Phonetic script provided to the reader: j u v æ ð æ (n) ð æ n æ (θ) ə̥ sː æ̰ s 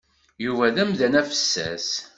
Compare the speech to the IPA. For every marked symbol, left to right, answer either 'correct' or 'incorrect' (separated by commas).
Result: incorrect, incorrect